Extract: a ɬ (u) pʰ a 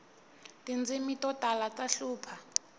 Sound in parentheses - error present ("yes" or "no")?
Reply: yes